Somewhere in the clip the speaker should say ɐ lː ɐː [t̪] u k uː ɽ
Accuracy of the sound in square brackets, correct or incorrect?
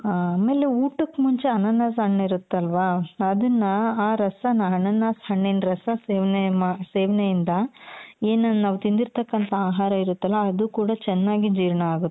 incorrect